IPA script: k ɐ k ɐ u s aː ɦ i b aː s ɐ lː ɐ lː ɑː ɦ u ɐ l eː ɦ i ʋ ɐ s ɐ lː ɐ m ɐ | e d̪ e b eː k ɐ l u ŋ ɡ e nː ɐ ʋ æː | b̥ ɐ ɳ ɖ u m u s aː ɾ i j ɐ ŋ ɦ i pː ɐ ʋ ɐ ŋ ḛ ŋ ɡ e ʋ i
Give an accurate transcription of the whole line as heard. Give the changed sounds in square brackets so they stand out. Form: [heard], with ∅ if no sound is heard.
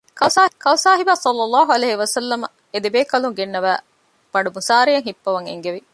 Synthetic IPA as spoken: k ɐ k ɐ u s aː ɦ i b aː s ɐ lː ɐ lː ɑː ɦ u ɐ l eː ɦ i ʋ ɐ s ɐ lː ɐ m ɐ | e d̪ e b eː k ɐ l u ŋ ɡ e nː ɐ ʋ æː | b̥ ɐ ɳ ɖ u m u s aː ɾ i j ɐ ŋ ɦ i pː ɐ ʋ ɐ ŋ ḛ ŋ ɡ e ʋ i

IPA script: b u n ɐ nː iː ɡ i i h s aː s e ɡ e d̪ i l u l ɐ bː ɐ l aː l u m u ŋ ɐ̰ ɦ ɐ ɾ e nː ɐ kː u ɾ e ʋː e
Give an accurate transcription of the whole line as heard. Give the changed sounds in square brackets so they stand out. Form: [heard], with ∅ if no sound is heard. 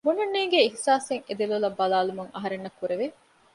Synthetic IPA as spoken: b u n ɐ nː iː ɡ [e] i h s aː s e [ŋ] e d̪ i l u l ɐ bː ɐ l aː l u m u ŋ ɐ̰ ɦ ɐ ɾ e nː ɐ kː u ɾ e [ʋ] e

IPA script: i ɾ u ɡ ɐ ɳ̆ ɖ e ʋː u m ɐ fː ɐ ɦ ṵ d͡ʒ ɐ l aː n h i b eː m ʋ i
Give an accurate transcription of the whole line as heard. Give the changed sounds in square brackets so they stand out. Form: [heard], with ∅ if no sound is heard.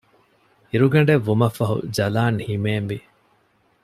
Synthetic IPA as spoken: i ɾ u ɡ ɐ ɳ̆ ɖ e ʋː u m ɐ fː ɐ ɦ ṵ d͡ʒ ɐ l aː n h i [m] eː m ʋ i

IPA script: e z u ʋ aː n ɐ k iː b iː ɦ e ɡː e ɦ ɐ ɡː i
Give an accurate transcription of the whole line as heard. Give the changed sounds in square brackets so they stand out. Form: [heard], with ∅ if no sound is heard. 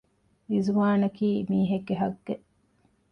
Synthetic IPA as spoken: [i] z u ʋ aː n ɐ k iː [m] iː ɦ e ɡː e ɦ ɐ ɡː [e]

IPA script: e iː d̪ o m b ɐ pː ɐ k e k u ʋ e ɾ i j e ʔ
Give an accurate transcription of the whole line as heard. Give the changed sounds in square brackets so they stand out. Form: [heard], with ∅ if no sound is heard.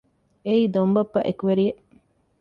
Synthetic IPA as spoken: e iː d̪ o m b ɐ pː ɐ [ʔ] e k u ʋ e ɾ i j e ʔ

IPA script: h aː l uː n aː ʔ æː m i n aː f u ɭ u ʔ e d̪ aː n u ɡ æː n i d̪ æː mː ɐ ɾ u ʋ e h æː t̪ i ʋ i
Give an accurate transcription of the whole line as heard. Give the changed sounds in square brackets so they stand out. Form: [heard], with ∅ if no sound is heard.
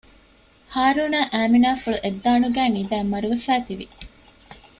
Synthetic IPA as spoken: h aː [ɾ] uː n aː ʔ æː m i n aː f u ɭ u ʔ e [d̪ː] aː n u ɡ æː n i d̪ æː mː ɐ ɾ u ʋ e [f] æː t̪ i ʋ i

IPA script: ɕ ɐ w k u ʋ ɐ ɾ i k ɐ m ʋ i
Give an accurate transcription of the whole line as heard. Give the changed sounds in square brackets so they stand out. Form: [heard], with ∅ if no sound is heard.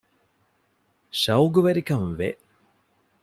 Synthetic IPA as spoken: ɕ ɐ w [ɡ] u ʋ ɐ ɾ i k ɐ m ʋ [e]

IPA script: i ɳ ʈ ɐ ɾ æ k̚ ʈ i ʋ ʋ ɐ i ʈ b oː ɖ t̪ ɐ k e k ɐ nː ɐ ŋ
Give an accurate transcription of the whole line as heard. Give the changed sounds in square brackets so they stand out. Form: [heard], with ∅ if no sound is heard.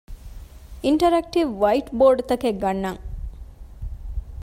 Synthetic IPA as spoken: i ɳ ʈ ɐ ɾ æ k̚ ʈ i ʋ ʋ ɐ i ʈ b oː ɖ t̪ ɐ k e [ɡ] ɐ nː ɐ ŋ

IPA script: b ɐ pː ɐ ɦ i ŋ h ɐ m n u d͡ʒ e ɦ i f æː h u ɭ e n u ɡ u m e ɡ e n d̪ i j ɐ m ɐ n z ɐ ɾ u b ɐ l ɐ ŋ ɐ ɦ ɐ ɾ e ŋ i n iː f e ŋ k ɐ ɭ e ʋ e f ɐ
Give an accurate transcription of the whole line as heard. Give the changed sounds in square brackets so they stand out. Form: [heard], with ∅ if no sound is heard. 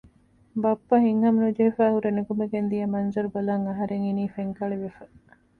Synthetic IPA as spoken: b ɐ pː ɐ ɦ i ŋ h ɐ m n u d͡ʒ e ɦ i f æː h u [ɾ] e n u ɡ u m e ɡ e n d̪ i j ɐ m ɐ n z ɐ ɾ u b ɐ l ɐ ŋ ɐ ɦ ɐ ɾ e ŋ i n iː f e ŋ k ɐ ɭ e ʋ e f ɐ

